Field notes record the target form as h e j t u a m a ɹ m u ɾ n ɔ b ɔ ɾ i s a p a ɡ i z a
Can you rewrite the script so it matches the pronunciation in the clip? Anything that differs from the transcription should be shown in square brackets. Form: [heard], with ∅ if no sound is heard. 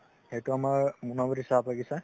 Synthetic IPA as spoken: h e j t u a m a ɹ m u [∅] n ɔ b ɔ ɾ i s a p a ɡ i [s] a